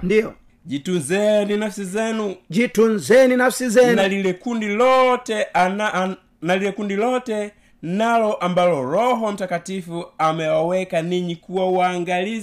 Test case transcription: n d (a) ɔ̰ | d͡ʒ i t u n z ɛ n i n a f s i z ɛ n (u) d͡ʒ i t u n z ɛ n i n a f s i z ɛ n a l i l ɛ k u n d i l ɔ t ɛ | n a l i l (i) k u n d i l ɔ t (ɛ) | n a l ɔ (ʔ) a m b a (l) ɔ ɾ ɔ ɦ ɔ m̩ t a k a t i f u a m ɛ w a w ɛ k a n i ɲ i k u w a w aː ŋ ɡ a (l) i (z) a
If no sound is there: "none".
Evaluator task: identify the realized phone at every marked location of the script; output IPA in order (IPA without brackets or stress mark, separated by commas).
i, u, ɛ, ɛ, ʔ, l, l, z